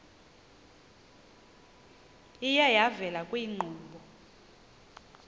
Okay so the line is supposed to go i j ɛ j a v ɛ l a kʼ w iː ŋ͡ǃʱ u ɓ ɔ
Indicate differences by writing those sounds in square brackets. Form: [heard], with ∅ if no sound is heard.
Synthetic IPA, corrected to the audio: i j [a] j a v ɛ l a kʼ w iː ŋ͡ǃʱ [uː] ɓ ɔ